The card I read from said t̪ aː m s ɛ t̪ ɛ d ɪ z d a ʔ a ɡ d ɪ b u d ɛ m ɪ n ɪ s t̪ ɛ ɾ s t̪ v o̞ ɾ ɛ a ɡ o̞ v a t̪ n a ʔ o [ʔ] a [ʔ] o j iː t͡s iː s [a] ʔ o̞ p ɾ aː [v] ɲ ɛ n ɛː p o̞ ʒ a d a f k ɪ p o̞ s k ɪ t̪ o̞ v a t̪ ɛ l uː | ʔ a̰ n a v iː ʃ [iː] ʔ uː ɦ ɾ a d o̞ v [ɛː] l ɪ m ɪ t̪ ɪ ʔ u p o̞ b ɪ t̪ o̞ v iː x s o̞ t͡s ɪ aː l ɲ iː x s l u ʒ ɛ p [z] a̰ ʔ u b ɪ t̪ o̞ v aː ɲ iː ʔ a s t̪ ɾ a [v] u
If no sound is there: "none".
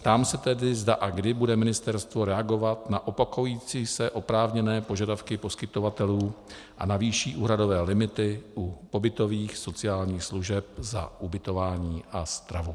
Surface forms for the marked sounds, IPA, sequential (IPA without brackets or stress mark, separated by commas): p, k, ɛ, v, iː, ɛː, z, v